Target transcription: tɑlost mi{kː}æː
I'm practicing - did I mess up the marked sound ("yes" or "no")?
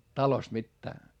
yes